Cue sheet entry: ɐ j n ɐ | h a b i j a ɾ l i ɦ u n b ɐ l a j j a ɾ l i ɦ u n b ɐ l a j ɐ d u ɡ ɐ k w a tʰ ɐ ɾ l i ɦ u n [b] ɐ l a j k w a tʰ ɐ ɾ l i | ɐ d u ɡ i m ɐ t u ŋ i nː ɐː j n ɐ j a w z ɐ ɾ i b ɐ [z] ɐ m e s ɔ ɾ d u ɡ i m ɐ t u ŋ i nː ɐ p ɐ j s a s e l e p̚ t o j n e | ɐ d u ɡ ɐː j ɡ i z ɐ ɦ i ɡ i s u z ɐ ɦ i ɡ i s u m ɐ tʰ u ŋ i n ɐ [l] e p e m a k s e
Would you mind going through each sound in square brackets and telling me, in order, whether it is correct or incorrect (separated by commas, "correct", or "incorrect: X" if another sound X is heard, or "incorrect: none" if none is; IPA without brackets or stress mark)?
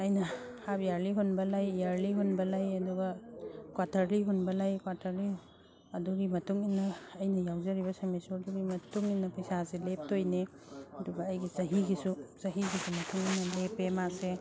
correct, incorrect: s, correct